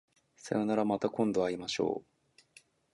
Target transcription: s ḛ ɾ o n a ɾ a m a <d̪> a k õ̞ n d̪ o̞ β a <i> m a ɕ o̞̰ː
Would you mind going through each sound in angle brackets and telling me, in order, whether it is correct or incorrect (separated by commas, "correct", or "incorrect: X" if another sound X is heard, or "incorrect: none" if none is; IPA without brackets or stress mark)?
incorrect: t̪, correct